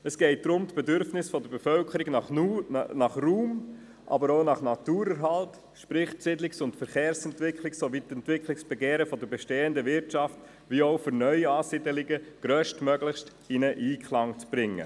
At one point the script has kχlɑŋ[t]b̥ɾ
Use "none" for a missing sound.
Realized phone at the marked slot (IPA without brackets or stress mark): t͡s